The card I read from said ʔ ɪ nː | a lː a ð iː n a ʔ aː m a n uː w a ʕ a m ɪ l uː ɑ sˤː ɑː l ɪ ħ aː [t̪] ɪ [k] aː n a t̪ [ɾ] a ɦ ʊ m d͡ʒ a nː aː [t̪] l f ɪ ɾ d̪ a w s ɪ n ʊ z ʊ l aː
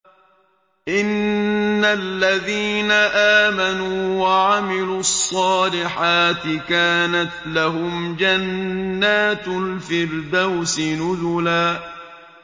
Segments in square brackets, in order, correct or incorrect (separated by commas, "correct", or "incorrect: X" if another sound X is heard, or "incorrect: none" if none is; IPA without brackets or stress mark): correct, correct, incorrect: l, correct